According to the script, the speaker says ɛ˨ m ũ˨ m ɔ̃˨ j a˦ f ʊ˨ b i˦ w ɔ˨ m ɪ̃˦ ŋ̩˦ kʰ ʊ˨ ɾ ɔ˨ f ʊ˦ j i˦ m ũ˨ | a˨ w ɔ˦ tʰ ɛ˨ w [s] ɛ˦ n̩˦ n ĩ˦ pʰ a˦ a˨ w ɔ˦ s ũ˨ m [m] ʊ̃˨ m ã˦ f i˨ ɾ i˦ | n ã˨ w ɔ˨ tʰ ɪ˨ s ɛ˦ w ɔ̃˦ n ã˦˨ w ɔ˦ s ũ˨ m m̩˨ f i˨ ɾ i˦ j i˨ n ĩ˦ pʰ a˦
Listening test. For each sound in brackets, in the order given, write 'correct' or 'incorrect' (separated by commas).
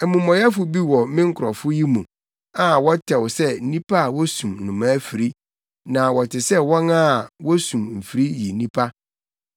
correct, incorrect